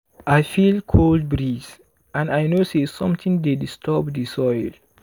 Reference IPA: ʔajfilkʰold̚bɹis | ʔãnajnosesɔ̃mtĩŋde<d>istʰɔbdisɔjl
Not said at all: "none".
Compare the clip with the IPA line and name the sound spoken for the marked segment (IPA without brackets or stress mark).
d